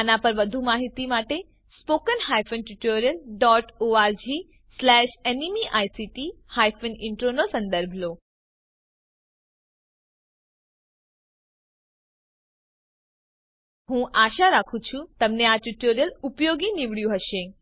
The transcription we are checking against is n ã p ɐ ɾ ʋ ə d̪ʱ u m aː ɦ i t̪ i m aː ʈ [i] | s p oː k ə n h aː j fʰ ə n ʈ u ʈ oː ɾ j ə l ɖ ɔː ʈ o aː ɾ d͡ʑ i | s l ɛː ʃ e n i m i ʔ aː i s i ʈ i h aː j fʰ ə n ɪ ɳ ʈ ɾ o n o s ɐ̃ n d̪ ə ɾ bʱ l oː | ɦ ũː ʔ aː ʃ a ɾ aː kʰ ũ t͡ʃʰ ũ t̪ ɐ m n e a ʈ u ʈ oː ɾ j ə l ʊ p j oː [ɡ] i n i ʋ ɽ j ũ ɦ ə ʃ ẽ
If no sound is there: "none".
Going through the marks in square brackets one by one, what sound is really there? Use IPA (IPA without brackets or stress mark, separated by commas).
e, ɡ